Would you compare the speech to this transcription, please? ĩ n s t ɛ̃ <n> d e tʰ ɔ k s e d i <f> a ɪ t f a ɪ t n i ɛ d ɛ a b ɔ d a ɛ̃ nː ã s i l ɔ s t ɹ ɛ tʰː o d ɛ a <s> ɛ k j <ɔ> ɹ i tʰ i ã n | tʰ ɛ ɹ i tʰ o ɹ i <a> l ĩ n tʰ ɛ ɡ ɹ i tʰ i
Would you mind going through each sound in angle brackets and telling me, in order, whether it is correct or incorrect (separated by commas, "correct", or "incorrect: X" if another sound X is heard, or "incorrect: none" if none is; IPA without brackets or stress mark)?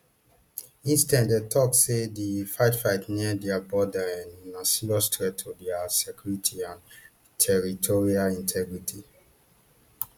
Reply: correct, correct, correct, incorrect: u, correct